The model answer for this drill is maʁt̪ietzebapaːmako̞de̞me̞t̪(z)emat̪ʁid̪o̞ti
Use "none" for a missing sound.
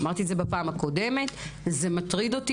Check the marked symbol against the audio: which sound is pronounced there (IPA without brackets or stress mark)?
z